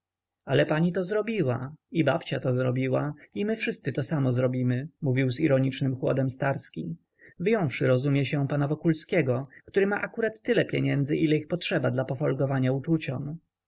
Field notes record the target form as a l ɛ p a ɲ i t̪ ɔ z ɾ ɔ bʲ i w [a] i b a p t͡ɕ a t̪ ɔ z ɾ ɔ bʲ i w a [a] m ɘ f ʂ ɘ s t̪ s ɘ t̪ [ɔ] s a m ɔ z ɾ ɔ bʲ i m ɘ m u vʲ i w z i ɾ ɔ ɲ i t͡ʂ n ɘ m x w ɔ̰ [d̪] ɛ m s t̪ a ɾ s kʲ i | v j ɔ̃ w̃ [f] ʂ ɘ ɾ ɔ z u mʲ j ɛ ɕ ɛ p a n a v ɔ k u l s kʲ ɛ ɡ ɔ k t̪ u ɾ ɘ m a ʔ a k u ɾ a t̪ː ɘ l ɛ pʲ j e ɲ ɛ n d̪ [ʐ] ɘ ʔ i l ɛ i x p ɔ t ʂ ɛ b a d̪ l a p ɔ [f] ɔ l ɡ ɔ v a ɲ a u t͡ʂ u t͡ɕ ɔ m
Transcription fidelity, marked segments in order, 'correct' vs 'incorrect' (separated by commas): correct, incorrect, correct, correct, correct, incorrect, correct